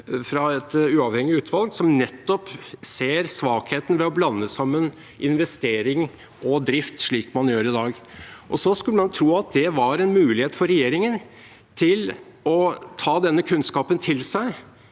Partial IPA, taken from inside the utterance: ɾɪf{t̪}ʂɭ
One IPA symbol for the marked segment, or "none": t̪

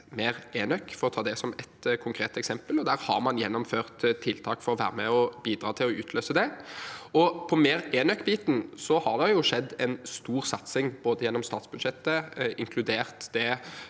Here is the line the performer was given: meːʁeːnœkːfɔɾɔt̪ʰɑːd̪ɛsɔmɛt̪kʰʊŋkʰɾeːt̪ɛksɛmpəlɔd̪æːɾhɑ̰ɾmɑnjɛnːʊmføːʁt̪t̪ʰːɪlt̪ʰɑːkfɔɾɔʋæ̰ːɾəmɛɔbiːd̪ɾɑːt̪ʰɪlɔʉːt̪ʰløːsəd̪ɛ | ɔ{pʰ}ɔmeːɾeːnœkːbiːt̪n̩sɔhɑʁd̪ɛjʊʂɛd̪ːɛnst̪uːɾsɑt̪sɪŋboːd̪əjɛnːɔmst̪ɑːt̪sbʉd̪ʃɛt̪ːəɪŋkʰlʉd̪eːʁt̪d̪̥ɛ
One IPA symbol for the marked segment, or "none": pʰ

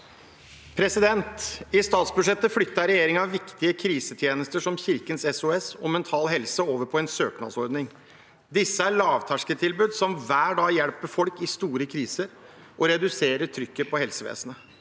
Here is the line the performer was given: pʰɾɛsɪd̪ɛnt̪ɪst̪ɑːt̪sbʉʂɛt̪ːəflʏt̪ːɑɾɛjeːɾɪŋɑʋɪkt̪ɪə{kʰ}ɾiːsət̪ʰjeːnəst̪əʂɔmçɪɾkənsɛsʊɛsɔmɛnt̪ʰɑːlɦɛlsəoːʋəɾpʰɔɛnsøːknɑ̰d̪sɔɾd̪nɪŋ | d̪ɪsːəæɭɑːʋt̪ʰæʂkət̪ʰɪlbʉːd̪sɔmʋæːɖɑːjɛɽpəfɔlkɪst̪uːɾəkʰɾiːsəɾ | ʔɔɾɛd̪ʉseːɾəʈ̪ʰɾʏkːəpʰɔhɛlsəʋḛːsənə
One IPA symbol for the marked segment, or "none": kʰ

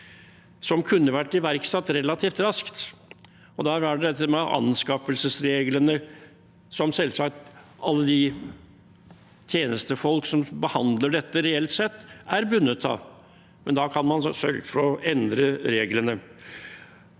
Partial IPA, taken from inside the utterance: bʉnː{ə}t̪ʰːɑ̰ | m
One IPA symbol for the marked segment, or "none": ə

